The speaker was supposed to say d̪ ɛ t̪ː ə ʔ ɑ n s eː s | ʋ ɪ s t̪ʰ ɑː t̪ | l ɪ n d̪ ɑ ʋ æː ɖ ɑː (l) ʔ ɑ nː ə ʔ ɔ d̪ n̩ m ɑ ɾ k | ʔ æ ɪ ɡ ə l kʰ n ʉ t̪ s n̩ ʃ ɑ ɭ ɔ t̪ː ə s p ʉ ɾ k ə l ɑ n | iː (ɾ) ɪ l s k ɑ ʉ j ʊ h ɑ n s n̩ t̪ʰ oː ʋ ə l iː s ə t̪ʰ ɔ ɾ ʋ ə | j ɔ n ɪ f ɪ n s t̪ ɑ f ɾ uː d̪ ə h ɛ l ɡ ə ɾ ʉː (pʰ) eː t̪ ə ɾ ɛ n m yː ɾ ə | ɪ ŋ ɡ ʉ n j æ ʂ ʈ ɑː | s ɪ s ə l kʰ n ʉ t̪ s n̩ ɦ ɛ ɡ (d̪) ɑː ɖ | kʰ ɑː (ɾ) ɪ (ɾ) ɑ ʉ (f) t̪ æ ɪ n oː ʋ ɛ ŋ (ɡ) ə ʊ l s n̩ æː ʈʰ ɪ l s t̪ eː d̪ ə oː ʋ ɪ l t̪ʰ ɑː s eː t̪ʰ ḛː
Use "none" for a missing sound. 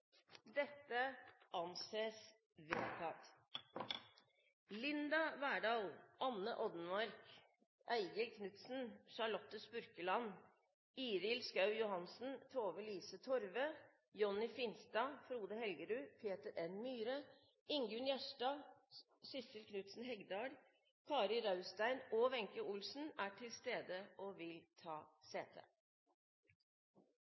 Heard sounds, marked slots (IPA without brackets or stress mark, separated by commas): l, ɾ, pʰ, d̪, ɾ, ɾ, s, k